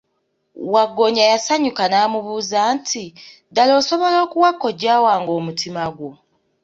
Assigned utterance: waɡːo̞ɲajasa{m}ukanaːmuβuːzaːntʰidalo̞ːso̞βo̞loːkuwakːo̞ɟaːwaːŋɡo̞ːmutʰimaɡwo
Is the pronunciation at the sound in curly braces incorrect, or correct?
incorrect